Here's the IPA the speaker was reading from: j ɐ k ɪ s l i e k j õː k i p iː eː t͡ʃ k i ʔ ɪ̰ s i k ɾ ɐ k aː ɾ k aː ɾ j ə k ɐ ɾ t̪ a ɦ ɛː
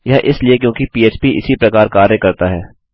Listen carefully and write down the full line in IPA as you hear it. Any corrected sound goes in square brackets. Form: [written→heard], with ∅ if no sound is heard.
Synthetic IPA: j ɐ [k→ʔ] ɪ s l i e k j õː k i p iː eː t͡ʃ [k→p] i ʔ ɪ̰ s i [k→p] ɾ ɐ k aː ɾ k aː ɾ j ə k ɐ ɾ t̪ a ɦ ɛː